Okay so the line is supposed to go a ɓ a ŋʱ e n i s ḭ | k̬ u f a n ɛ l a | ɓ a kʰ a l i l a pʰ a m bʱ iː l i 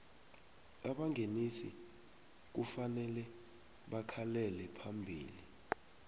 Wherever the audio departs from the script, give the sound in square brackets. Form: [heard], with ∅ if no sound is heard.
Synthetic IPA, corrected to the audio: a ɓ a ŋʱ e n i s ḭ | k̬ u f a n ɛ l [ɛ] | ɓ a kʰ a l [ɛ] l [ɛ] pʰ a m bʱ iː l i